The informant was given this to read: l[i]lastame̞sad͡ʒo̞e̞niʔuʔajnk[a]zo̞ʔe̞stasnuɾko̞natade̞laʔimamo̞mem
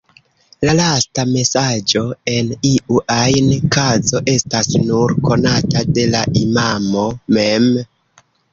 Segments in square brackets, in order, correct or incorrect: incorrect: a, correct

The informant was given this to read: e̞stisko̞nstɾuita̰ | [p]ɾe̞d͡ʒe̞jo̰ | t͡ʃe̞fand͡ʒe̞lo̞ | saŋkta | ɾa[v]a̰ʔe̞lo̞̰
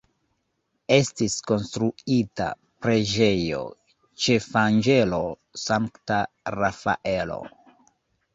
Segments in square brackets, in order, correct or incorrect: correct, incorrect: f

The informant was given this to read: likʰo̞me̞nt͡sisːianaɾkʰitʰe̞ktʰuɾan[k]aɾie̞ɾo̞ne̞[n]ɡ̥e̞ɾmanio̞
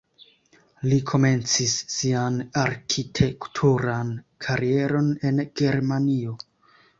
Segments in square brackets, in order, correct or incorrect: incorrect: kʰ, correct

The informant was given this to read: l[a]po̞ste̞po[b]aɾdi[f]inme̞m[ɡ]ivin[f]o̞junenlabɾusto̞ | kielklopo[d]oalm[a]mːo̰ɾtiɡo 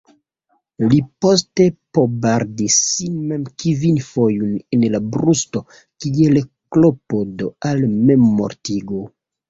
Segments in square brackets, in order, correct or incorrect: incorrect: i, correct, incorrect: s, incorrect: k, correct, correct, incorrect: e

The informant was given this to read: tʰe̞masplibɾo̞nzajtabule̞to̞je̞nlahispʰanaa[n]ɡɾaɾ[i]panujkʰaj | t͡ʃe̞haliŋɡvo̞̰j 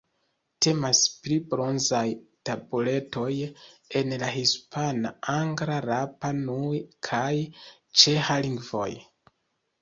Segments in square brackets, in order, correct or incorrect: incorrect: ŋ, incorrect: a

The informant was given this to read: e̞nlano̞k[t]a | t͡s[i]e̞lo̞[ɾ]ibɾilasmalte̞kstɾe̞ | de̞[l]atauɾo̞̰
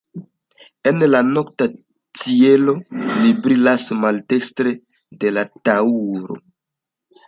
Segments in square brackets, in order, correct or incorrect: correct, correct, incorrect: l, correct

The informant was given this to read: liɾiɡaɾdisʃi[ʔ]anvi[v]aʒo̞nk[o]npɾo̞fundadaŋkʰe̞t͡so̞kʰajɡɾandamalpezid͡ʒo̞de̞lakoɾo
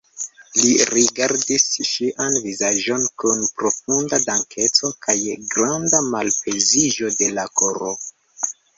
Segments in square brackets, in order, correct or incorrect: correct, incorrect: z, incorrect: u

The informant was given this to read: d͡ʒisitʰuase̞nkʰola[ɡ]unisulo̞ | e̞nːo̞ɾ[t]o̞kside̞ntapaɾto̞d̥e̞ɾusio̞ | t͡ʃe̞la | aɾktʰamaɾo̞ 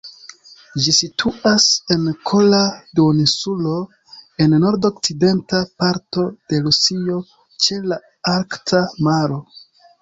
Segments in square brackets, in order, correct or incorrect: incorrect: d, incorrect: d

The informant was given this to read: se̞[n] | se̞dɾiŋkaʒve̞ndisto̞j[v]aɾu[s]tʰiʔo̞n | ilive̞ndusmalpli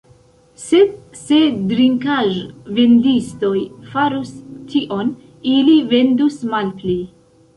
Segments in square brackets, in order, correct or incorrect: incorrect: d, incorrect: f, correct

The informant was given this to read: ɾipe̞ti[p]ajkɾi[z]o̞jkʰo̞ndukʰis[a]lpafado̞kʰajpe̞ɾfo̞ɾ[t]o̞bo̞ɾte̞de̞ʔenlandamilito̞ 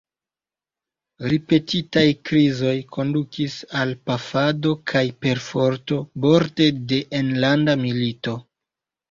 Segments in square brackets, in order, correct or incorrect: incorrect: t, correct, correct, correct

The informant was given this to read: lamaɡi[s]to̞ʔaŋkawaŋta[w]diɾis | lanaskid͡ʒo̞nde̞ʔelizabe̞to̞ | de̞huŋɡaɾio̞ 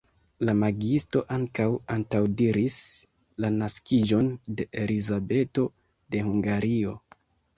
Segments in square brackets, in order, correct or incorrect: correct, correct

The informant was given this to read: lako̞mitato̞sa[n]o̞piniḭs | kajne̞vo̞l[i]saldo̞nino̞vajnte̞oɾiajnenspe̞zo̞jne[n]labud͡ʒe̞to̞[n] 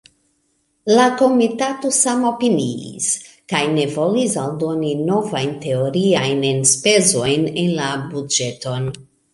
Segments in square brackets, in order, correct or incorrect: incorrect: m, correct, correct, correct

